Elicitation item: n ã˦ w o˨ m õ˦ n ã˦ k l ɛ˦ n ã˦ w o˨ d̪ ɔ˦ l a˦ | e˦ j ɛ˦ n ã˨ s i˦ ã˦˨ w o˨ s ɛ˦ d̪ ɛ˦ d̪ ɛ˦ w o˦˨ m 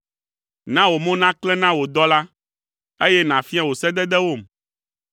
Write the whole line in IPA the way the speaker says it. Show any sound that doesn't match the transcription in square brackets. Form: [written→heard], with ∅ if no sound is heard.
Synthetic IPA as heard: n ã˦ w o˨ m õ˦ n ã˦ k l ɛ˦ n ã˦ w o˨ d̪ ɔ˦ l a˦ | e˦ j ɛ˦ n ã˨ [s→f] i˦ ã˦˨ w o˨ s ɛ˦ d̪ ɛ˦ d̪ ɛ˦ w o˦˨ m